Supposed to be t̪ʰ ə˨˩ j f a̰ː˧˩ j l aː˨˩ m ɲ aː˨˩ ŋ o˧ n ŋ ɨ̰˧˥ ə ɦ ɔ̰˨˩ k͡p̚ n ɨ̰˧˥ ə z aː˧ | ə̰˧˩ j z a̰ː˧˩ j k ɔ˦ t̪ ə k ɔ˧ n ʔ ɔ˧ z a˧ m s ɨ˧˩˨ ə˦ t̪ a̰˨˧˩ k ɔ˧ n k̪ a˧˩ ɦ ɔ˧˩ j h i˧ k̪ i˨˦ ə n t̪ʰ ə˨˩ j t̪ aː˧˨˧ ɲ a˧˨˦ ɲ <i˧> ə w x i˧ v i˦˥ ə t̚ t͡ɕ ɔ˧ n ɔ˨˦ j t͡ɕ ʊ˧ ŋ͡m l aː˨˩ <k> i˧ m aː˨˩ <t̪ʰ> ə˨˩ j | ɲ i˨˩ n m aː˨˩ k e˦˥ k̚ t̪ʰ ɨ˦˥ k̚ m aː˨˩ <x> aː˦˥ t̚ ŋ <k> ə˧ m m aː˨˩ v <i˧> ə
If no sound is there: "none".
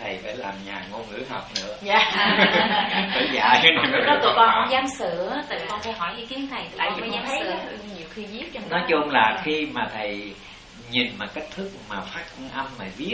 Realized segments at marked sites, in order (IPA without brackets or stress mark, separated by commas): i˨˩, x, t̪ʰ, f, ʔ, i˦˥